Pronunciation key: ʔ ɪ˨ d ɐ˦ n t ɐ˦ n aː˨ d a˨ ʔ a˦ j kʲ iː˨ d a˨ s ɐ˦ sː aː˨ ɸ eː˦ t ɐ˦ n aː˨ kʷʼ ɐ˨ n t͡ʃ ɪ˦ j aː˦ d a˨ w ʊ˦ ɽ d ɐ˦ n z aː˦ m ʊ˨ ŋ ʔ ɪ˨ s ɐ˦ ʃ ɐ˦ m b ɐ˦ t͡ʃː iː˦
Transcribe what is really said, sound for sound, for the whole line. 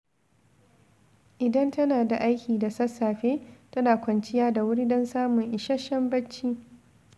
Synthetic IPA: ʔ ɪ˨ d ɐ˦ n t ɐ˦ n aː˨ d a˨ ʔ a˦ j kʲ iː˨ d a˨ s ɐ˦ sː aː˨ ɸ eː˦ t ɐ˦ n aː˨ kʷ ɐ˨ n t͡ʃ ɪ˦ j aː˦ d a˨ w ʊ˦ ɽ d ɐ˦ n s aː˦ m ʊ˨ ŋ ʔ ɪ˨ ʃ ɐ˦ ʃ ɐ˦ m b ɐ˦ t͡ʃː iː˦